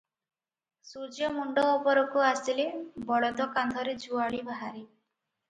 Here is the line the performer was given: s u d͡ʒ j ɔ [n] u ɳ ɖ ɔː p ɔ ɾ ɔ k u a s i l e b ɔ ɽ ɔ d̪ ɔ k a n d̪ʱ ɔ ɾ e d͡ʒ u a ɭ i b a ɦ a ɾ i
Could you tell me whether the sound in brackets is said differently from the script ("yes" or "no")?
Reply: yes